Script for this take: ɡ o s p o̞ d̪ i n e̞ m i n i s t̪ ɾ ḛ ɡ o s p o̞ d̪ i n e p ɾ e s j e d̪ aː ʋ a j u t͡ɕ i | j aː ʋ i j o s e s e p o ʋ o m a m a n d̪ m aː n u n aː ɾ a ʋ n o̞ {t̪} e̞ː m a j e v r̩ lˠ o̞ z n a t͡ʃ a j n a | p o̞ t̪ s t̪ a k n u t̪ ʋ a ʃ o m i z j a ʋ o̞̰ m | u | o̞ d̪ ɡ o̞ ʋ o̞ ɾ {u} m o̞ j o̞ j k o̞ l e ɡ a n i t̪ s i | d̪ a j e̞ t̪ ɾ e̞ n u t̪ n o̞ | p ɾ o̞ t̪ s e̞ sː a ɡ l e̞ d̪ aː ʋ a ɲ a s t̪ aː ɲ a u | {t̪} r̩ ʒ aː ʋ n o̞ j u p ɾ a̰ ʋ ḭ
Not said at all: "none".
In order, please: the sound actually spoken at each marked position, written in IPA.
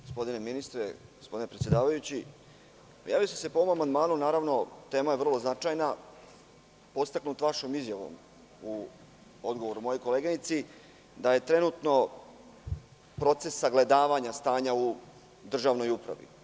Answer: t̪, u, d̪

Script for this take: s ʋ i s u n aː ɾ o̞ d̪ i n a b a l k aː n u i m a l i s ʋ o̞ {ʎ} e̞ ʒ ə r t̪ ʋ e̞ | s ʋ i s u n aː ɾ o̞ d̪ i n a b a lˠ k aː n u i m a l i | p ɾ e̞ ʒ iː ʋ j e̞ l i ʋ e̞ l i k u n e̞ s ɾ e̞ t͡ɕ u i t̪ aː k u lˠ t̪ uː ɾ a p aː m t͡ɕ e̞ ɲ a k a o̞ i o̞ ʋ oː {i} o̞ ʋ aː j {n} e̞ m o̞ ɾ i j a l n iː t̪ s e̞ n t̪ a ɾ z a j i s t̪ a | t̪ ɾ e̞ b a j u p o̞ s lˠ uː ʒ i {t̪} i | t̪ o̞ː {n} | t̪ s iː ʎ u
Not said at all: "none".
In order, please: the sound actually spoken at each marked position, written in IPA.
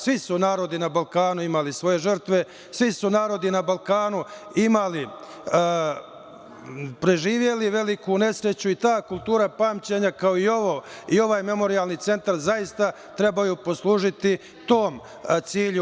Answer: j, i, m, t̪, m

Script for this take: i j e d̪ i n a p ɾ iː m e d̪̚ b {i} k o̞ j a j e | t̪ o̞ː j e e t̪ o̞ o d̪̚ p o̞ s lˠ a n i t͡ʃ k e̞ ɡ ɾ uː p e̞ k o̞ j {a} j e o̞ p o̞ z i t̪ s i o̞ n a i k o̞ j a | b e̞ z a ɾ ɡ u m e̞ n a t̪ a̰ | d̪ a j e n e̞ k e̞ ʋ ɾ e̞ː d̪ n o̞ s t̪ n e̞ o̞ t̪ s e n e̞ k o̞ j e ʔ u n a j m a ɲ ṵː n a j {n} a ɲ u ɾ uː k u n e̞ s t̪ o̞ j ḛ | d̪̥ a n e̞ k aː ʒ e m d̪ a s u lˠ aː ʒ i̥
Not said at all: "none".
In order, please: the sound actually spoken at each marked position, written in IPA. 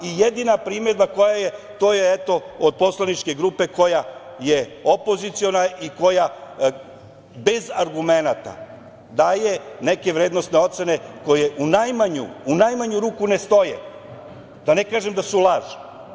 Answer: a, a, m

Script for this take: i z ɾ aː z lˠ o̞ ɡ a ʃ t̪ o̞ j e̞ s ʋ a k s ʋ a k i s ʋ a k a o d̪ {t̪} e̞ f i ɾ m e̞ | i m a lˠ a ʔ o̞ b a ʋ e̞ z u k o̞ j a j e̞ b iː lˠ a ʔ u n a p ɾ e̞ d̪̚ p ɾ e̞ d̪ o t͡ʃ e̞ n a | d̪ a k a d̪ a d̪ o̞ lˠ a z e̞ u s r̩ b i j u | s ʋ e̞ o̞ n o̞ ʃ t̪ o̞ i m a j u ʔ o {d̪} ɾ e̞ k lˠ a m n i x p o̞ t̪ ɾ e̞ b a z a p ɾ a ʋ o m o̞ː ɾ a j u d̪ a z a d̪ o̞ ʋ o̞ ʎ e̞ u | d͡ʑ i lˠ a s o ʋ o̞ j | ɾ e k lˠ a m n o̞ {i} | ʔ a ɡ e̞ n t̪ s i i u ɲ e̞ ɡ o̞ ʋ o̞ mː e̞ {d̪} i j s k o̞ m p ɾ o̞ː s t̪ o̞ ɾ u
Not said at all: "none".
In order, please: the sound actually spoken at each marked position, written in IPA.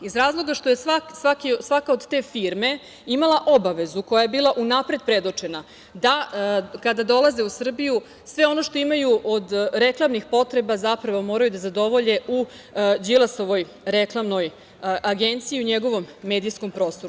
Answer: t̪, d̪, j, d̪

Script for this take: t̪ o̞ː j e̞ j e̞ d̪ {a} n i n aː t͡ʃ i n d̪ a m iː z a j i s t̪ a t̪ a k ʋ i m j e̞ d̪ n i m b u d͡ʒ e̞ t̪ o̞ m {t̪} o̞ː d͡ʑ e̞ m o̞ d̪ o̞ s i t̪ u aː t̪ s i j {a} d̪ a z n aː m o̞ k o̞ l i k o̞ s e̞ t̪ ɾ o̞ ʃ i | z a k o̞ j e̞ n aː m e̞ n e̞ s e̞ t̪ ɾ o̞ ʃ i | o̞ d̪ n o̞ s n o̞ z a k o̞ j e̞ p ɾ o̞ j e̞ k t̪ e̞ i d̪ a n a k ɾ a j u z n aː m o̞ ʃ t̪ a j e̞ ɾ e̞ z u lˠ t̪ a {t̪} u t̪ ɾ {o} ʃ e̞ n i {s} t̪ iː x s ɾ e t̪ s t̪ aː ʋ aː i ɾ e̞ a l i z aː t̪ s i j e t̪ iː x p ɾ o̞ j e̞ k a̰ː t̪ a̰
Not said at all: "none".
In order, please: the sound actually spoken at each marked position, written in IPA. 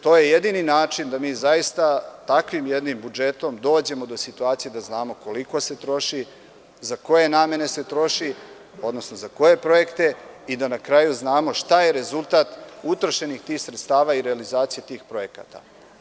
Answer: i, d̪, e, t̪, o, x

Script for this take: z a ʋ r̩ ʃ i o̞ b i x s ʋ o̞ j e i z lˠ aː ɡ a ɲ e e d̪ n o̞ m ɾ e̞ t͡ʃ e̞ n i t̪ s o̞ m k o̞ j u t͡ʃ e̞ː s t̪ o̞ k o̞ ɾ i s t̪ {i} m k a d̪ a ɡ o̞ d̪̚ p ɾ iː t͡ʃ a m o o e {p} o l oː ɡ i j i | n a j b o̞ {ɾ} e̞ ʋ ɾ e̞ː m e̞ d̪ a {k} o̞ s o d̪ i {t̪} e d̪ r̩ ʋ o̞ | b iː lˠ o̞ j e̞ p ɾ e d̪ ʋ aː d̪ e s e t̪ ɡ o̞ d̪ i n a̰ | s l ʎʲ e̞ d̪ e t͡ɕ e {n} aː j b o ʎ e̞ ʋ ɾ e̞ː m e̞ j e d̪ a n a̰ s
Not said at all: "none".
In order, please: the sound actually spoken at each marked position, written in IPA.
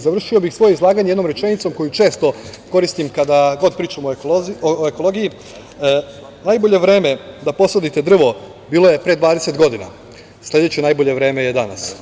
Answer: i, k, ʎ, p, t̪, n

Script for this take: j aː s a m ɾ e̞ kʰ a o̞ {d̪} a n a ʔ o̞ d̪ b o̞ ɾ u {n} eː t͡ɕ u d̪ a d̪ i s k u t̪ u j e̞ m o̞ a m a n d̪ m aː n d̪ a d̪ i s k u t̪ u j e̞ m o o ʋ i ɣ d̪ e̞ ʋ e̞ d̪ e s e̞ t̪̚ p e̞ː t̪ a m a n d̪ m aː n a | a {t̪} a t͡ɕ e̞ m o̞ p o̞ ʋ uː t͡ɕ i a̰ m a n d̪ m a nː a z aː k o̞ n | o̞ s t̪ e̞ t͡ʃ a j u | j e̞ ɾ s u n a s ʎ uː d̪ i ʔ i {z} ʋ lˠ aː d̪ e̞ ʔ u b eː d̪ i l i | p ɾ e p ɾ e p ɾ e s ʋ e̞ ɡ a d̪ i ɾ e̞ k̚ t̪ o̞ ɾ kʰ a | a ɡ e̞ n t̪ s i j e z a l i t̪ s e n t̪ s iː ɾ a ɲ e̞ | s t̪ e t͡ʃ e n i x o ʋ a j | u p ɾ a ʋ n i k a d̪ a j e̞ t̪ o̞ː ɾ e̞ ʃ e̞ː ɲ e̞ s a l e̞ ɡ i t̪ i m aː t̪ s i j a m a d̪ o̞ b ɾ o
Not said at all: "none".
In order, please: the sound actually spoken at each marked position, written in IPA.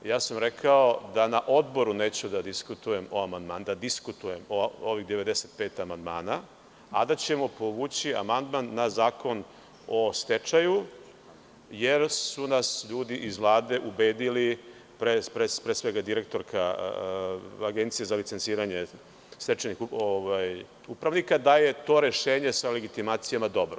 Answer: d̪, n, d̪, z

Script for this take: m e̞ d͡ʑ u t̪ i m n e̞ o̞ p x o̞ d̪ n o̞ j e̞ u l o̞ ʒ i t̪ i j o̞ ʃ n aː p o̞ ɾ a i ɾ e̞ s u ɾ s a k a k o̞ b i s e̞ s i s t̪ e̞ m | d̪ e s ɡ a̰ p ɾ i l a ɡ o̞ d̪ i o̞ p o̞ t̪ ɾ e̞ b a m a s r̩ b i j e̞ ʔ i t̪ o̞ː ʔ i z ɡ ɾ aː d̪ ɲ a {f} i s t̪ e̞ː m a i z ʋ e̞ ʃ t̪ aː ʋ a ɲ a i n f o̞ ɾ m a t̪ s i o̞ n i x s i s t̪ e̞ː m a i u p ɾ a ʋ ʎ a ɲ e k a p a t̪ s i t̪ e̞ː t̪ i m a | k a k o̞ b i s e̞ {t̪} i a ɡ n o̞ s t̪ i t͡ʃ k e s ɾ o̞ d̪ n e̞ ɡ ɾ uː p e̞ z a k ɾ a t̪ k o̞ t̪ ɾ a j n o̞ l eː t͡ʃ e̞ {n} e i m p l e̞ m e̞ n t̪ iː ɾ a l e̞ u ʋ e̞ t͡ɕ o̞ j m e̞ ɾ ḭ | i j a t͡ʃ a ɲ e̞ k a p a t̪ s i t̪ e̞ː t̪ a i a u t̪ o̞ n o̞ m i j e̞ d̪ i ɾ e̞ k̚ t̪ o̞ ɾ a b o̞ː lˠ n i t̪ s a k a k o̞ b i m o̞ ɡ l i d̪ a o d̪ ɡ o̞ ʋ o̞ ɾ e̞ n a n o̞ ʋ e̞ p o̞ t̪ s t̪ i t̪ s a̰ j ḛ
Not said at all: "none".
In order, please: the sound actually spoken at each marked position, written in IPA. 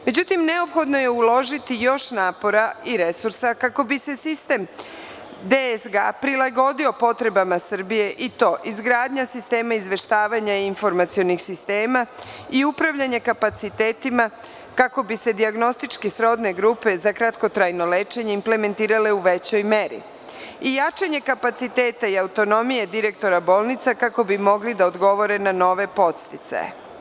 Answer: s, d̪, ɲ

